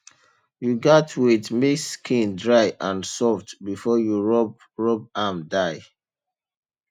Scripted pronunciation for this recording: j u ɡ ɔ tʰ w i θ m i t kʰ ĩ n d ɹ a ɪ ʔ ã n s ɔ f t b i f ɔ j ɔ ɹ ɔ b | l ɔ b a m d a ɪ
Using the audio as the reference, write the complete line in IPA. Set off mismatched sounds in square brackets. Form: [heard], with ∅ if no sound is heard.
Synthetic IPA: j u ɡ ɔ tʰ w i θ m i [s] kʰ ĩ n d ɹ a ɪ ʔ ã n s ɔ f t b i f ɔ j [u] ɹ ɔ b | [ɹ] ɔ b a m d a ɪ